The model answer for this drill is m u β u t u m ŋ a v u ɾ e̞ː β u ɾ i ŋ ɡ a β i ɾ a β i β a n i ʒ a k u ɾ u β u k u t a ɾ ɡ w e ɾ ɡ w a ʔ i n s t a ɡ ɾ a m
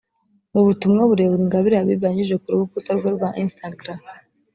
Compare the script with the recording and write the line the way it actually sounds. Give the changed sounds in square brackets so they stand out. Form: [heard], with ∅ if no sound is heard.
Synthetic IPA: m u β u t u m ŋ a [β] u ɾ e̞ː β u ɾ i ŋ ɡ a β i ɾ a β i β a [ɲ] i ʒ [e] k u ɾ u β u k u t a ɾ ɡ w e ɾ ɡ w a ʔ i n s t a ɡ ɾ a m

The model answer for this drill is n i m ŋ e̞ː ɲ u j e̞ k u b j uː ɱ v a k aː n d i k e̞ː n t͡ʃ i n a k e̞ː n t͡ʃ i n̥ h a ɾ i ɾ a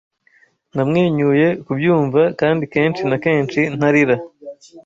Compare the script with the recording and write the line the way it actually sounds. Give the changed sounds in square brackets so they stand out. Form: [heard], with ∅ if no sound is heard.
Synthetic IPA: n [a] m ŋ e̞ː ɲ u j e̞ k u b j uː ɱ v a k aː n d i k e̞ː n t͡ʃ i n a k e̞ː n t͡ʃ i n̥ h a ɾ i ɾ a

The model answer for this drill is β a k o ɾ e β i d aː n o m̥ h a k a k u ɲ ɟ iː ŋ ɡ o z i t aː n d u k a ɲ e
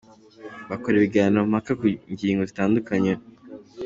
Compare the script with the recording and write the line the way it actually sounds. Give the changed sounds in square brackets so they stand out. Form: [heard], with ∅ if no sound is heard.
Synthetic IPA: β a k o ɾ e β i [ɡ] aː n o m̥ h a k a k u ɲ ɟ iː ŋ ɡ o z i t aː n d u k a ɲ e

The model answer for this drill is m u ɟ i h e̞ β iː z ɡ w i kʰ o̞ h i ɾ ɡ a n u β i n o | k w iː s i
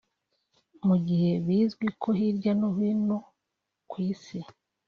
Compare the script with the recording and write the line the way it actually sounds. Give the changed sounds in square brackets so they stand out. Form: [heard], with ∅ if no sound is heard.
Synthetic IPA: m u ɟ i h e̞ β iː z ɡ w i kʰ o̞ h i ɾ [ɟ] a n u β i n o | k w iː s i

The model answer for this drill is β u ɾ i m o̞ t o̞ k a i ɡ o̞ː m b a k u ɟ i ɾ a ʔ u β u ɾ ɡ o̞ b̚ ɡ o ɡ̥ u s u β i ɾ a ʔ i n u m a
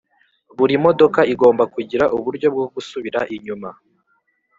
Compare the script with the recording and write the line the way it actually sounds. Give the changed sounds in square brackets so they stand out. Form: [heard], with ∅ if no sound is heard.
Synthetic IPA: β u ɾ i m o̞ [d] o̞ k a i ɡ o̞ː m b a k u ɟ i ɾ a ʔ u β u ɾ [ɟ] o̞ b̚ ɡ o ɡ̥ u s u β i ɾ a ʔ i [ɲ] u m a

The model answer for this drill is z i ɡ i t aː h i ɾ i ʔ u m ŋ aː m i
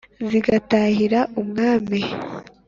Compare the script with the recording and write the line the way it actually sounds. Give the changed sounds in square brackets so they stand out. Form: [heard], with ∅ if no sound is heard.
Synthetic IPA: z i ɡ [a] t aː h i ɾ [a] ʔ u m ŋ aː m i

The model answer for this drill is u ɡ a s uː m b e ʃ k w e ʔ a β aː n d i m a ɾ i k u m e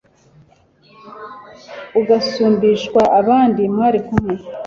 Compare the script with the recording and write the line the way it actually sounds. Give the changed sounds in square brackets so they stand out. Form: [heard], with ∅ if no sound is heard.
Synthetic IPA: u ɡ a s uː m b [i] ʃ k w [a] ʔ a β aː n d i m a ɾ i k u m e

